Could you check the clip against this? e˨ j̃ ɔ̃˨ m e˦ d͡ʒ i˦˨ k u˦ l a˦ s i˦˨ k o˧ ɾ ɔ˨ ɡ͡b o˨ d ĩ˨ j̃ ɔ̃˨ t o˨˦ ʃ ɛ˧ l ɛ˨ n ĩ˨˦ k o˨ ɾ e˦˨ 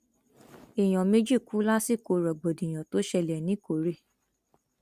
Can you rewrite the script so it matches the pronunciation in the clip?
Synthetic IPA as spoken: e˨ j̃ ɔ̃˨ m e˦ d͡ʒ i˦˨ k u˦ l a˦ s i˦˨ k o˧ ɾ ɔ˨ ɡ͡b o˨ d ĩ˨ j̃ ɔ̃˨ t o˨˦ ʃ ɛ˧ l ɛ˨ n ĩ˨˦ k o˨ ɾ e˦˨